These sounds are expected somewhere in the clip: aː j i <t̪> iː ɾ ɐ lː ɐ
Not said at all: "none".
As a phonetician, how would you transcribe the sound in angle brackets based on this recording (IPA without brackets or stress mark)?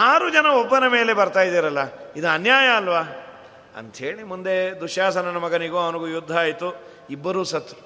d̪